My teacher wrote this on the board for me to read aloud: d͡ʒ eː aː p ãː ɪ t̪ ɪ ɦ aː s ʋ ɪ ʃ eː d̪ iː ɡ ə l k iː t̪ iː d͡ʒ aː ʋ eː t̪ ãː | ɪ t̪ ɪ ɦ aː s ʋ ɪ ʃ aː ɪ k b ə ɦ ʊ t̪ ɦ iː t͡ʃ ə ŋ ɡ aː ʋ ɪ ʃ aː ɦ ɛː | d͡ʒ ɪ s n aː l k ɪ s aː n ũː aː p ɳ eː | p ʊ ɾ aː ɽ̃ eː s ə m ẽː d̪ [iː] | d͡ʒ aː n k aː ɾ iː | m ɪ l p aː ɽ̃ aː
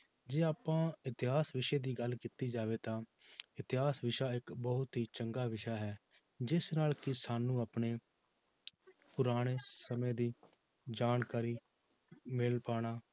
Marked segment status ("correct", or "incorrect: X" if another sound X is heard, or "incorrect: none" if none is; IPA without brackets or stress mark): correct